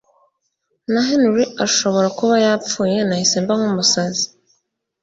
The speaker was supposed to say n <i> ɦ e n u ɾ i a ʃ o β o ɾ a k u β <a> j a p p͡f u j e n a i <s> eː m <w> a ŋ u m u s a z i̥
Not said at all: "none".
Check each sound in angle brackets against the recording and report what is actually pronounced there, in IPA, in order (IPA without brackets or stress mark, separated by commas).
a, a, s, b